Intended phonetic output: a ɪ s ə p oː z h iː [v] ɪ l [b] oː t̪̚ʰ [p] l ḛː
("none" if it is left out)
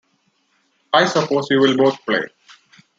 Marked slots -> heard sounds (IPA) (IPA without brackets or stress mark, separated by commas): ʋ, b, p